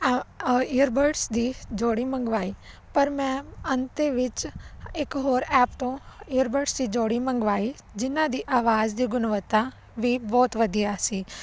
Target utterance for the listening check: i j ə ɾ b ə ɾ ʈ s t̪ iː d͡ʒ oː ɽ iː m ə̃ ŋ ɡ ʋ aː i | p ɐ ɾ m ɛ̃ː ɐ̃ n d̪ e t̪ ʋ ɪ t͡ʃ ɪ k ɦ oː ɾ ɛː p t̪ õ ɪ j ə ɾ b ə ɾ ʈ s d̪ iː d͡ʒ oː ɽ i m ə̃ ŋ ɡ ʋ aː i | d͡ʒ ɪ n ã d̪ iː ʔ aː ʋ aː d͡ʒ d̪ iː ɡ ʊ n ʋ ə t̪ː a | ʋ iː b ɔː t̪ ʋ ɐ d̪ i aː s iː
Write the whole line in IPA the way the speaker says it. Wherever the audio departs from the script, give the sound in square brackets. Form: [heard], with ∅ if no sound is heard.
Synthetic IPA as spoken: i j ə ɾ b ə ɾ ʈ s [d̪] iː d͡ʒ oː ɽ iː m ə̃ ŋ ɡ ʋ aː i | p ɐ ɾ m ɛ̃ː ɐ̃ n [t̪] e [∅] ʋ ɪ t͡ʃ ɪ k ɦ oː ɾ ɛː p t̪ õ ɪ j ə ɾ b ə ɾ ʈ s d̪ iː d͡ʒ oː ɽ i m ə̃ ŋ ɡ ʋ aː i | d͡ʒ ɪ n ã d̪ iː ʔ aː ʋ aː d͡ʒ d̪ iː ɡ ʊ n ʋ ə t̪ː a | ʋ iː b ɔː t̪ ʋ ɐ d̪ i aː s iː